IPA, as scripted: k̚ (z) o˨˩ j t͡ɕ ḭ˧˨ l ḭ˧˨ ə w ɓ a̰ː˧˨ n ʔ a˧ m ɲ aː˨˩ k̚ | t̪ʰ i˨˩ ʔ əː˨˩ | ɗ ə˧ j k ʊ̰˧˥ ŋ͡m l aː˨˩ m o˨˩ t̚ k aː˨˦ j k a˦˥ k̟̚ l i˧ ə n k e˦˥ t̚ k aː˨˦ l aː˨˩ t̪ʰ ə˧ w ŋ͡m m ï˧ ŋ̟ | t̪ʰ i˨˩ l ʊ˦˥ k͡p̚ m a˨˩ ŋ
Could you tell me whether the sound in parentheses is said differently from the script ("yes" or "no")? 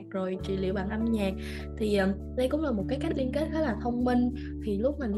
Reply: no